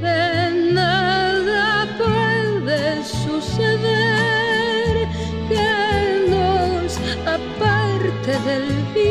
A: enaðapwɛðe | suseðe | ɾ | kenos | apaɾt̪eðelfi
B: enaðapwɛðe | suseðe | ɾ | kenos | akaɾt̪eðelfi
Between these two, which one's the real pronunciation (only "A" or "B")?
A